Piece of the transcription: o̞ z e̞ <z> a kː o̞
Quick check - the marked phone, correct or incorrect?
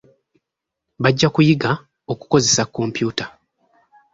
incorrect